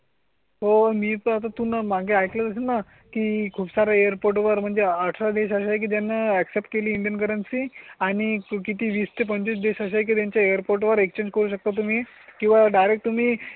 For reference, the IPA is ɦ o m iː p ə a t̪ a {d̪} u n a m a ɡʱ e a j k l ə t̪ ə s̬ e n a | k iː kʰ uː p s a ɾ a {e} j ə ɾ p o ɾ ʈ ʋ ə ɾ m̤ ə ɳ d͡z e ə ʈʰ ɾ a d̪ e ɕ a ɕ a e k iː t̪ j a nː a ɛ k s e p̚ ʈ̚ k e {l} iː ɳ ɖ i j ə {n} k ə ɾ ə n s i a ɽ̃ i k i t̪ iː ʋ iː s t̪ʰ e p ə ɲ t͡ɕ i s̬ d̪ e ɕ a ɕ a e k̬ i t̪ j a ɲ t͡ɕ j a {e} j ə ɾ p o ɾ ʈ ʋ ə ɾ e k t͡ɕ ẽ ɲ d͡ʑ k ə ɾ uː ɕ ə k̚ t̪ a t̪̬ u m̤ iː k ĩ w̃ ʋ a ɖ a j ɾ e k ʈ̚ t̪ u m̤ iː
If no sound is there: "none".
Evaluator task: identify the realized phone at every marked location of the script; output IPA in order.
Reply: t̪, e, l, n, e

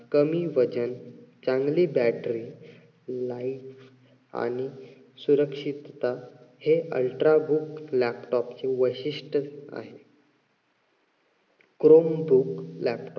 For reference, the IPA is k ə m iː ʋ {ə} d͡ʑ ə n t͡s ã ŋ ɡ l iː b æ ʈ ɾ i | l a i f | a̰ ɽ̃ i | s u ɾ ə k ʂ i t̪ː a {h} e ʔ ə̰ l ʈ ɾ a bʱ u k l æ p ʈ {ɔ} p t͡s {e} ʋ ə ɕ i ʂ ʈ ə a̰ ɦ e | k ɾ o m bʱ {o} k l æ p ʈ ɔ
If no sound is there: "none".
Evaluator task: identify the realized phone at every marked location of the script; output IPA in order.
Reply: ə, h, ɔ, e, u

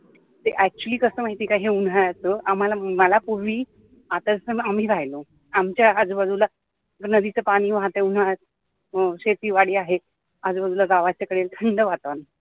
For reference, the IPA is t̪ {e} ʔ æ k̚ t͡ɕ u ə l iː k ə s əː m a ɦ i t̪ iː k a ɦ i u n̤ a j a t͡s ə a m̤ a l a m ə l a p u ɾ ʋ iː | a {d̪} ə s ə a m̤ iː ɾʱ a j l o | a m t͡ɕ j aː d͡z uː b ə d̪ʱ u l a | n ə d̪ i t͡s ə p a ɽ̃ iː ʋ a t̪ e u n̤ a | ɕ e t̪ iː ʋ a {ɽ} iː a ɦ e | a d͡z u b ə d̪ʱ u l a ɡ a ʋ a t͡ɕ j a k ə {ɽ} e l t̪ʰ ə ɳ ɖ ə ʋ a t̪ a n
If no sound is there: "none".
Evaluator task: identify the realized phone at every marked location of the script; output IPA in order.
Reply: e, t̪, ɽ, ɽ

